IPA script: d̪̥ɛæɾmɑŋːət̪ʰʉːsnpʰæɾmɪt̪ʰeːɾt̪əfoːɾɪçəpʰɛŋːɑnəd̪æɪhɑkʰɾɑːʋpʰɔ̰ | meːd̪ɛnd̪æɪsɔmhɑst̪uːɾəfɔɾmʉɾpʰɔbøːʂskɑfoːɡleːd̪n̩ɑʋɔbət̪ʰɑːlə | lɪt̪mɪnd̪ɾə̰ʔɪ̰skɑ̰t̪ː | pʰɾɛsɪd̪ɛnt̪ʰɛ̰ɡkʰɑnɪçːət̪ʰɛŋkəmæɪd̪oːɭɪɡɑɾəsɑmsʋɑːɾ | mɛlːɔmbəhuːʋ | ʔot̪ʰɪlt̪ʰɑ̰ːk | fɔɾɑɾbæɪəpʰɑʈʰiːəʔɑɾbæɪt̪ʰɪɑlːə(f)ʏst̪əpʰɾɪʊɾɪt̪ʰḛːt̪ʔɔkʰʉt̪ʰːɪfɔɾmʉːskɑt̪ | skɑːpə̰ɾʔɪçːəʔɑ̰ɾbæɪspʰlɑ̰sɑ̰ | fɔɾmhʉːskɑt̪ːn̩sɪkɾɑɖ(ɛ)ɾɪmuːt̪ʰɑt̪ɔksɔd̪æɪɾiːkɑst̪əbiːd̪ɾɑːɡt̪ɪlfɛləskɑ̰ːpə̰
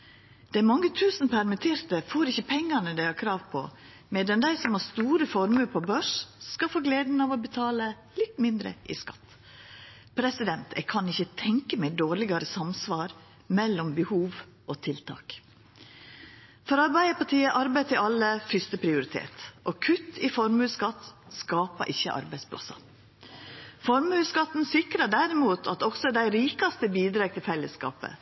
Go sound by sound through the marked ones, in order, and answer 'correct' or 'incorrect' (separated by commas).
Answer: correct, incorrect